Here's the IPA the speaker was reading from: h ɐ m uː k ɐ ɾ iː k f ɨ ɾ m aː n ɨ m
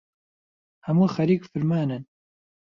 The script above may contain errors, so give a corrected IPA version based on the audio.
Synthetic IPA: h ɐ m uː x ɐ ɾ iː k f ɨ ɾ m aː n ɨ n